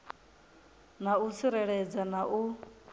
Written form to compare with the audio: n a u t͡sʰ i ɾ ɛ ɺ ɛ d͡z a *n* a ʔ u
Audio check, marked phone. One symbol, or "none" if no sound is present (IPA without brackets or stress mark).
n